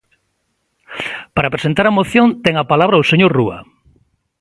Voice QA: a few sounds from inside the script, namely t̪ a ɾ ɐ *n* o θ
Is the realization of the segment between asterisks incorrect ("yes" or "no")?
yes